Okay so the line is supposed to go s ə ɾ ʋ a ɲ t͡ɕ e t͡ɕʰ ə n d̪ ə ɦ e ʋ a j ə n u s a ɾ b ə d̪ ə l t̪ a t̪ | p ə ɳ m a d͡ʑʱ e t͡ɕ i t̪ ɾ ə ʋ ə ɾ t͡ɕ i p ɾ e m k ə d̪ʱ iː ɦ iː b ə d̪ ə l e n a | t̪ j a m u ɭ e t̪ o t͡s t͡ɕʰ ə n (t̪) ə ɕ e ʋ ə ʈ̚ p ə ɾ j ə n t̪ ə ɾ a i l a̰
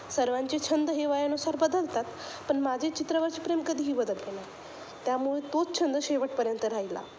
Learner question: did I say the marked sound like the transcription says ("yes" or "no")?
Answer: no